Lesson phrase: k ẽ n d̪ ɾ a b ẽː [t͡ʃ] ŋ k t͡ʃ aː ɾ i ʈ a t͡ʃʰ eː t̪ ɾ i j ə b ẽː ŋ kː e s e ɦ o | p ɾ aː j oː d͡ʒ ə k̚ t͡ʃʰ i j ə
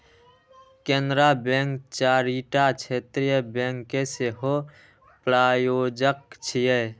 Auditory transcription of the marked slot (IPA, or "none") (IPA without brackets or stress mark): none